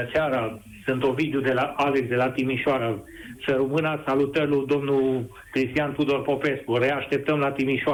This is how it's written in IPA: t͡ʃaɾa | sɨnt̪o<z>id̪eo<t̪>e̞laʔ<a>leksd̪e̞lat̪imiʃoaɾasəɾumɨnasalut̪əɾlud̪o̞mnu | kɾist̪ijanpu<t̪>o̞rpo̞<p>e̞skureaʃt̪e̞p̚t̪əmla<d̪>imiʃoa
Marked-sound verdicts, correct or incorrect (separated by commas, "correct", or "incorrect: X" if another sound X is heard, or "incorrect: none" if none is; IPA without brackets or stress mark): incorrect: v, incorrect: d̪, correct, incorrect: d̪, correct, incorrect: t̪